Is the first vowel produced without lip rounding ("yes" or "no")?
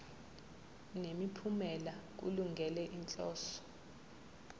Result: yes